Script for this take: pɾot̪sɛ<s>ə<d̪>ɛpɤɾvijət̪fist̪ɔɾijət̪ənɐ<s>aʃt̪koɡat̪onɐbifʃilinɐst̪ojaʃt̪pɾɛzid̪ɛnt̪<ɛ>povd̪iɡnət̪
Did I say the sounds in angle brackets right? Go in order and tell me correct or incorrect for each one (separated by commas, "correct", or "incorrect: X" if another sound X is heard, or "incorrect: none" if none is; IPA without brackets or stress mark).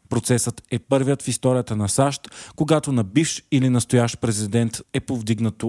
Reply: correct, incorrect: t̪, correct, correct